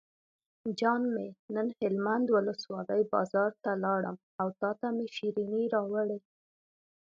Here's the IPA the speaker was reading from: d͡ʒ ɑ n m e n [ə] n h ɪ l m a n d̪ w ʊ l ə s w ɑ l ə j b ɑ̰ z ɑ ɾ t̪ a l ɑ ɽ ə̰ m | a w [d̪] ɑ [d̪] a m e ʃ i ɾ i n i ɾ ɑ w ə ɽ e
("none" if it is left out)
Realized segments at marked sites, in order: ə, t̪, t̪

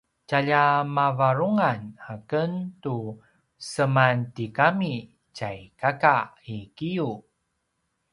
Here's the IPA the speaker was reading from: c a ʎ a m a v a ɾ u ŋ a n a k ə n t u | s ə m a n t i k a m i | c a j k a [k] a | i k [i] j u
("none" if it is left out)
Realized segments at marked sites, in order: k, i

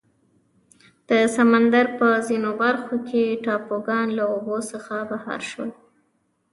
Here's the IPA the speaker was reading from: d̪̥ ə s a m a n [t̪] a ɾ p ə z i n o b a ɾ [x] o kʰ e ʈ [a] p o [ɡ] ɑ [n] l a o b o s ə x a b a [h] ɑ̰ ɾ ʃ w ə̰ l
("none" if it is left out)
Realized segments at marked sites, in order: d̪, x, ɑ, ɡ, n, h

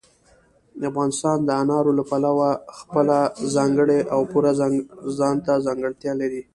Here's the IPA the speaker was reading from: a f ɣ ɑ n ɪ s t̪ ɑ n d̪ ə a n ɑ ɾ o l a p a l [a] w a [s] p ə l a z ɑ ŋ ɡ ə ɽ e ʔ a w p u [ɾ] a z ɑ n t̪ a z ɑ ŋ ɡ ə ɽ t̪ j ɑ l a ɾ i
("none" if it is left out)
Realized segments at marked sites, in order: a, x, ɾ

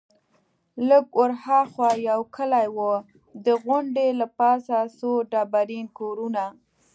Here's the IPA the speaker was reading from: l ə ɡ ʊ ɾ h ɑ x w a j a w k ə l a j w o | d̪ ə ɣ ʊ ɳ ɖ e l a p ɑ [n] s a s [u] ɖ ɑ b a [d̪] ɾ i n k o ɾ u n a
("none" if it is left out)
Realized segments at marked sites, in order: none, o, none

